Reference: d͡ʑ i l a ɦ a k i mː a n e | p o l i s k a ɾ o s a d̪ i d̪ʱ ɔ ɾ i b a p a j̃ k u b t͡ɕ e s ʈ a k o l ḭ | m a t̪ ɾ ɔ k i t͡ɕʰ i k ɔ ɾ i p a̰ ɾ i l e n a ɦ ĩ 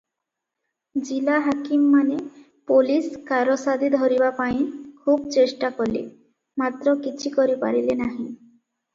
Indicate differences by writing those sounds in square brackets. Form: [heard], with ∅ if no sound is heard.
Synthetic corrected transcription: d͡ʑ i l a ɦ a k i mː a n e | p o l i s k a ɾ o s a d̪ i d̪ʱ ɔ ɾ i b a p a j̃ [kʰ] u b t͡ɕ e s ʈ a k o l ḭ | m a t̪ ɾ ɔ k i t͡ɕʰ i k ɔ ɾ i p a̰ ɾ i l e n a ɦ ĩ